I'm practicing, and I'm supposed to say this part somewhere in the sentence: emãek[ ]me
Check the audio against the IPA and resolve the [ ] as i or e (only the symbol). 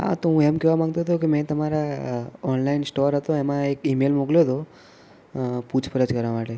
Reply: i